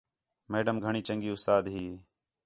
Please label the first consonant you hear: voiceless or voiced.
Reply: voiced